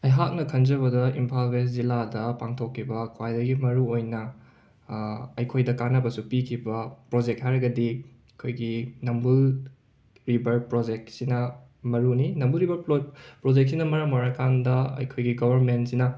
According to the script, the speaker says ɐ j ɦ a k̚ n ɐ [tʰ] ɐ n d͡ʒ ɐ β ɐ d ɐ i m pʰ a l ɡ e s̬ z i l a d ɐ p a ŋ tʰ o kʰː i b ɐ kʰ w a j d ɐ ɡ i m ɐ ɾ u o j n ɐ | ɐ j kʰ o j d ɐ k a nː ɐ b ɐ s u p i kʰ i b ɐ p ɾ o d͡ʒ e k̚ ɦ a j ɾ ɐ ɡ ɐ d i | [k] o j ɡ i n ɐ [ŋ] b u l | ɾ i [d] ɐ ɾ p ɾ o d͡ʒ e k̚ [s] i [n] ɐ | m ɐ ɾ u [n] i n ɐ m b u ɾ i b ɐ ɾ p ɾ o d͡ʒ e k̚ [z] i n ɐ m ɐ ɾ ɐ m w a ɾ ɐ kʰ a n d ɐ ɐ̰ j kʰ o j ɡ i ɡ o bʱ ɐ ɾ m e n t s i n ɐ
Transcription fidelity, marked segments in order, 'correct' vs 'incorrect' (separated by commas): incorrect, incorrect, incorrect, incorrect, correct, correct, correct, incorrect